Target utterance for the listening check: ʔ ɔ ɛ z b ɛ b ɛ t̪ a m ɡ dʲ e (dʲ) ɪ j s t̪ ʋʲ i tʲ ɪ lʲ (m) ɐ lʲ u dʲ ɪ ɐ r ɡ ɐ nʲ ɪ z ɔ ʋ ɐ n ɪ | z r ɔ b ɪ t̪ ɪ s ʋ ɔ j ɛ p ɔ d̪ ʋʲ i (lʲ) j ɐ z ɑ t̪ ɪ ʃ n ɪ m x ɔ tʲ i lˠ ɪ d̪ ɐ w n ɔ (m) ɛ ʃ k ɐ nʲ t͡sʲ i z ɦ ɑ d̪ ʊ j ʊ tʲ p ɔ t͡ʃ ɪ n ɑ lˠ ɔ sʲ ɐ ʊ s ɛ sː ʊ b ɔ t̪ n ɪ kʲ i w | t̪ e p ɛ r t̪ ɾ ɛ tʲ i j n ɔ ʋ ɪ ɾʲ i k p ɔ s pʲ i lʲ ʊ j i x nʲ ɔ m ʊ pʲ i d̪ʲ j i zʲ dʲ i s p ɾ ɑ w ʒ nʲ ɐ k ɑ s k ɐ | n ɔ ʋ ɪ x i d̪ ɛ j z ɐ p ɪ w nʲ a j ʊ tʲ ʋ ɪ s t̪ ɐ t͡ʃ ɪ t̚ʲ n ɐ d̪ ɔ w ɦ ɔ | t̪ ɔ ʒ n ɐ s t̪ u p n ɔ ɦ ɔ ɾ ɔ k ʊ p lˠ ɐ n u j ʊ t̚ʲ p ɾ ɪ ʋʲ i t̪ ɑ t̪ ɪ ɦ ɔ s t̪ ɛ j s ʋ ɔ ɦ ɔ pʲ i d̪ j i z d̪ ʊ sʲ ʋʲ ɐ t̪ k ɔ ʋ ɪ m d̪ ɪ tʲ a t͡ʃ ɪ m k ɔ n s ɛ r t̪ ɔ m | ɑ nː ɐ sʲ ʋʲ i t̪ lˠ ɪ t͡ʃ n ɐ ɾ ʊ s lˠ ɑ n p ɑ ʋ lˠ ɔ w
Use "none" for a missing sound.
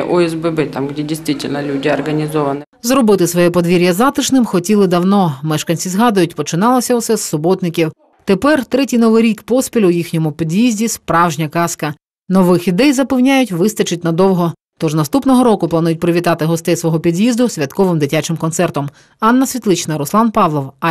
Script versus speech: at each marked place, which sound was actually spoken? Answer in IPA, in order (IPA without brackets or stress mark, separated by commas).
dʲ, n, ɾʲ, m